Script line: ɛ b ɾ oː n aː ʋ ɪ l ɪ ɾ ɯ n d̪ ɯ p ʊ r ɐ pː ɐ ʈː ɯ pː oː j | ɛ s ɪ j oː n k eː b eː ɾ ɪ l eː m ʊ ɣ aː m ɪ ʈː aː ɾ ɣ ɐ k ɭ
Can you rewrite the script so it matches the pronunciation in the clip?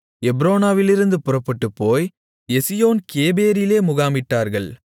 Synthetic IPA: ɛ b ɾ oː n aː ʋ ɪ l ɪ ɾ ɯ n d̪ ɯ p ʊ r ɐ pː ɐ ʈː ɯ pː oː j | ɛ s ɪ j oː n k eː b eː ɾ ɪ l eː m ʊ ɣ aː m ɪ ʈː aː ɾ ɣ ɐ ɭ